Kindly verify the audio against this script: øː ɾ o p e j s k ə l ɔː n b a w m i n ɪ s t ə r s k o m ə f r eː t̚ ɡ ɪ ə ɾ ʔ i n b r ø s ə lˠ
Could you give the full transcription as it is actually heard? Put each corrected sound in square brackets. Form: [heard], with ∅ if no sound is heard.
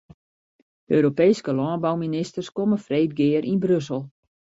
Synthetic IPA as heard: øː ɾ o p e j s k ə l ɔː n b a w m i n ɪ s t ə r s k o m ə f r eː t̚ ɡ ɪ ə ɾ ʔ i n b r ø s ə lˠ